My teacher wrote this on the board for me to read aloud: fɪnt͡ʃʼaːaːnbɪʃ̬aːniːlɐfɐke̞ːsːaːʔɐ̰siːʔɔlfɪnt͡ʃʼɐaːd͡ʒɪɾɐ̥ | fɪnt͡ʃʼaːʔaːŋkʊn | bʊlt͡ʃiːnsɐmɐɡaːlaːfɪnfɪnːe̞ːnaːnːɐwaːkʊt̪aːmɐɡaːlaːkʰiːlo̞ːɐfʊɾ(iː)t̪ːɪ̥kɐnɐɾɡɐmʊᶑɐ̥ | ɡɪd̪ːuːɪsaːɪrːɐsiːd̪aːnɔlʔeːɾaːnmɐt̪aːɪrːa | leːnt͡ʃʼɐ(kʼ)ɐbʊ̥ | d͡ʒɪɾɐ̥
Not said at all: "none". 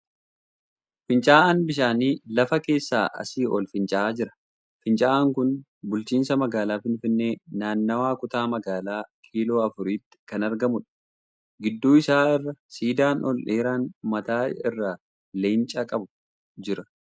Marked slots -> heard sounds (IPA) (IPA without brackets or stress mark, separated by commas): iː, kʼ